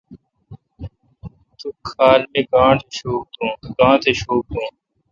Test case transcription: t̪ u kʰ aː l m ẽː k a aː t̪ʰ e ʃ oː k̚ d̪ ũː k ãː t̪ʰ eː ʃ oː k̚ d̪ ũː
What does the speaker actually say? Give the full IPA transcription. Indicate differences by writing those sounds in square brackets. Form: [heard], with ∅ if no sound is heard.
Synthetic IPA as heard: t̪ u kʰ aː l m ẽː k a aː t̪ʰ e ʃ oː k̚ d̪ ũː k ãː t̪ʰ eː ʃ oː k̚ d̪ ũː